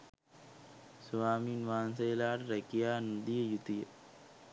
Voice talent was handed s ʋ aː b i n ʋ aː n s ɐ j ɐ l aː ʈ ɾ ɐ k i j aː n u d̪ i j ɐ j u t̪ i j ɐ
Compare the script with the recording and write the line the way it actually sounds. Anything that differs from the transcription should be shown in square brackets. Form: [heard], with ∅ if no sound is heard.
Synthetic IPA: s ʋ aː [m] i n ʋ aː n s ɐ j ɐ l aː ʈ ɾ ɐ k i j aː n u d̪ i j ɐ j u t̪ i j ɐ